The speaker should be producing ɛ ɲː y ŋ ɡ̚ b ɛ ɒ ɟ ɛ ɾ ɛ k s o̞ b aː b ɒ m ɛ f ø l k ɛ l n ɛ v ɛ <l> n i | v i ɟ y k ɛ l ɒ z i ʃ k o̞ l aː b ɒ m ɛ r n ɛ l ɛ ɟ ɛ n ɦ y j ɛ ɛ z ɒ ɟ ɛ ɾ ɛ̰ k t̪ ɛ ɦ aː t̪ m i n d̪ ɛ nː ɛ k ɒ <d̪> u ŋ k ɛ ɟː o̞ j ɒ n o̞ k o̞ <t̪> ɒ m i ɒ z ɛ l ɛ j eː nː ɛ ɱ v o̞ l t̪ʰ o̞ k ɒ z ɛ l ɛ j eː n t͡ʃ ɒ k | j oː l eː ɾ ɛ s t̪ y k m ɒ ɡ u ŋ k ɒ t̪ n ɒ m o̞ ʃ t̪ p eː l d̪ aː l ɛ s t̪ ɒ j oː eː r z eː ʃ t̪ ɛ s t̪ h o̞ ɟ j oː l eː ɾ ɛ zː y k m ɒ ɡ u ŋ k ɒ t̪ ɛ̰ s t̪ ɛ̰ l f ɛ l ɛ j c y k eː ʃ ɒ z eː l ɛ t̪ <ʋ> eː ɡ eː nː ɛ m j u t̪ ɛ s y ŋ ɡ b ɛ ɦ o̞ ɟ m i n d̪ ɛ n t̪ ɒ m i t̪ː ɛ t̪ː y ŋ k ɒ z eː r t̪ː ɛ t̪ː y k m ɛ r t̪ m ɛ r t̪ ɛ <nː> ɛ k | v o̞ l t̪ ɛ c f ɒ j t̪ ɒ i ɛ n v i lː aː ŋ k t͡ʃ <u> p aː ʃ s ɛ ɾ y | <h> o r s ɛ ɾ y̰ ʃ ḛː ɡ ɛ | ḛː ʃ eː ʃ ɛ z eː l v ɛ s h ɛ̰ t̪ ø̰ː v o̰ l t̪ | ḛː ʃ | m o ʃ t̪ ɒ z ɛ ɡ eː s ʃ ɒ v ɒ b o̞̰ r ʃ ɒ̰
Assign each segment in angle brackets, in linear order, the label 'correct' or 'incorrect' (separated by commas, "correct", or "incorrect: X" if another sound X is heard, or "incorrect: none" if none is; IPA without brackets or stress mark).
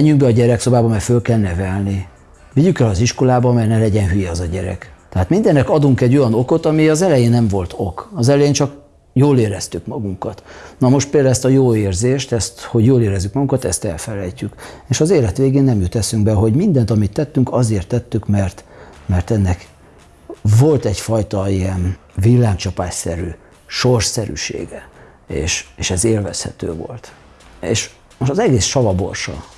correct, correct, correct, correct, correct, incorrect: ɒ, incorrect: ʃ